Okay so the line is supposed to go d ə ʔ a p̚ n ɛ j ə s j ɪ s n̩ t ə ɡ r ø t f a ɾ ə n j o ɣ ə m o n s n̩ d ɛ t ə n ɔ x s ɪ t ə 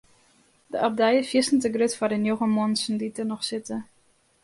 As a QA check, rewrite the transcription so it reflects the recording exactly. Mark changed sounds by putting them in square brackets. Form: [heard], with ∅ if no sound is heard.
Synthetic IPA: d ə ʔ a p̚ [d] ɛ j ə [f] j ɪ s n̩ t ə ɡ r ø t f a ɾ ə n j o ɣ ə m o n s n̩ d [i] t ə n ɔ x s ɪ t ə